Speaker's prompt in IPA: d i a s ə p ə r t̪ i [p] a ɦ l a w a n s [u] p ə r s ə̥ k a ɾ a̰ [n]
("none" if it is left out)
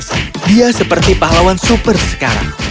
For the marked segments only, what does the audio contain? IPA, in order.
p, u, ŋ

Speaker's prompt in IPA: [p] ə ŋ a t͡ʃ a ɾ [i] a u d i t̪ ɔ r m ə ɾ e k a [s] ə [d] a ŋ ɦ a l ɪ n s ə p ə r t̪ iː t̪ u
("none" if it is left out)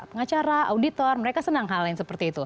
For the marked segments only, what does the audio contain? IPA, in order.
p, a, s, n

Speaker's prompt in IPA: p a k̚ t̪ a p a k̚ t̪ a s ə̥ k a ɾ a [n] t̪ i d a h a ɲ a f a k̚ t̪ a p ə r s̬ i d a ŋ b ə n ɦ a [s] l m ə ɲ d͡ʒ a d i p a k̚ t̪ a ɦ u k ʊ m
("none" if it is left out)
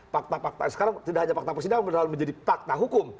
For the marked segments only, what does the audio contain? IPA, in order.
ŋ, none

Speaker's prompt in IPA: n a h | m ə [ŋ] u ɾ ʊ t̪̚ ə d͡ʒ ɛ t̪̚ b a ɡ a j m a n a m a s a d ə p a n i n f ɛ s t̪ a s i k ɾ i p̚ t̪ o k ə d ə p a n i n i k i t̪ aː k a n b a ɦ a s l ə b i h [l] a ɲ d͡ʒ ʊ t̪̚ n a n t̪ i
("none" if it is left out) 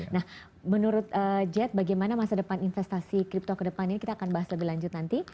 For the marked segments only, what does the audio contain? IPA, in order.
n, l

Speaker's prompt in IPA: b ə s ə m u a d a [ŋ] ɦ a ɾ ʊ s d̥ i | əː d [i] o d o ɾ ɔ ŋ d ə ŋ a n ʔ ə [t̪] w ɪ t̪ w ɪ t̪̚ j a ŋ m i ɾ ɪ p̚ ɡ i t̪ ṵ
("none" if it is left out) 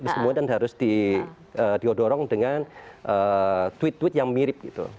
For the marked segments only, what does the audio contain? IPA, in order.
n, i, t̪

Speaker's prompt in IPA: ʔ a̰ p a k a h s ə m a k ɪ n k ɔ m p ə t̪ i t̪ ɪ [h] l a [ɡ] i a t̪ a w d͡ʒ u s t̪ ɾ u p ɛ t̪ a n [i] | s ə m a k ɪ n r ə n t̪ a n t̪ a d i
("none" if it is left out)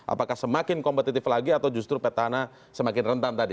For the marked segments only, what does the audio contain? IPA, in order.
f, ɡ, a

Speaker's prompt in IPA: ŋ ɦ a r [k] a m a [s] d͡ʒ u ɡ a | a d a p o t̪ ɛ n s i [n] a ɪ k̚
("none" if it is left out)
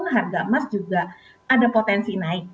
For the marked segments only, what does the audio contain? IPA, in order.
ɡ, s, n

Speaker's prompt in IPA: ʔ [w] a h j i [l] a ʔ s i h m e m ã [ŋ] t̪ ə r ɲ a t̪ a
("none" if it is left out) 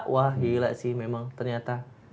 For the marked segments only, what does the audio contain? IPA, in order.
w, l, ŋ

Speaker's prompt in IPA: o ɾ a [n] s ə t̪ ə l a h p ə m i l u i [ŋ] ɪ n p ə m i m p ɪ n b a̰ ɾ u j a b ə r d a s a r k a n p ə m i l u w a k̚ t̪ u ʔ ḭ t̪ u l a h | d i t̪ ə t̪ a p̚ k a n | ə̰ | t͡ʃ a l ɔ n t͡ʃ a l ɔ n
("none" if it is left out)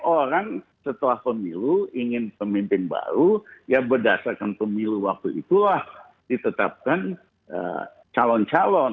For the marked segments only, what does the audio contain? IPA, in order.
ŋ, ŋ

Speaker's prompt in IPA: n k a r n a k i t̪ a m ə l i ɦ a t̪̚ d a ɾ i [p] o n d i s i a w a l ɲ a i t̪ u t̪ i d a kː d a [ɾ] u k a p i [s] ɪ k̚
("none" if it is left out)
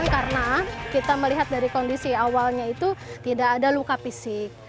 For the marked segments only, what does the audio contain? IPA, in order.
k, l, s

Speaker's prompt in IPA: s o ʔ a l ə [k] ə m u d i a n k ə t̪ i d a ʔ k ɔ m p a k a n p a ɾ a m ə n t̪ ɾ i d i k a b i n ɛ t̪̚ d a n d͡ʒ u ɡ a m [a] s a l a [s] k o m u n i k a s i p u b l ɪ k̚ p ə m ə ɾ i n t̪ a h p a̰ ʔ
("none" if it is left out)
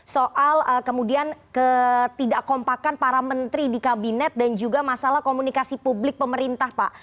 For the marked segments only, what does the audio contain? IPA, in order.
k, a, h

